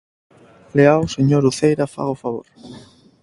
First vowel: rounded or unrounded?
unrounded